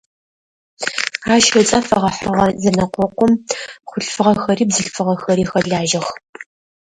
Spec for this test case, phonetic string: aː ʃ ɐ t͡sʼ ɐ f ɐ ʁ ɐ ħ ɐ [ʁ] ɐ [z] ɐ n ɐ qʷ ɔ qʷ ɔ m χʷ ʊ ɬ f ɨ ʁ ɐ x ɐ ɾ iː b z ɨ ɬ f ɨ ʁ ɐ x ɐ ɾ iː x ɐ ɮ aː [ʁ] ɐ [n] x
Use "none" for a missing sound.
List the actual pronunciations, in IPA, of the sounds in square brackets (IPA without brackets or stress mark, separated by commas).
ʁ, z, ʒ, none